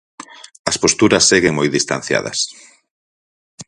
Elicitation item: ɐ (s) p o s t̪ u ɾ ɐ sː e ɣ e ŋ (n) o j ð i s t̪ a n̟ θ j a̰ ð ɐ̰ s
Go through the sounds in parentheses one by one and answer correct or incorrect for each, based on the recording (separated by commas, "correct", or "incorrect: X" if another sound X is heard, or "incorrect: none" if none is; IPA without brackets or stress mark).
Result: correct, incorrect: m